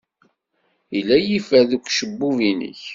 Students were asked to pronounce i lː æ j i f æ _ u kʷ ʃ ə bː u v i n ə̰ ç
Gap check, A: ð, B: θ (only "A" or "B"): A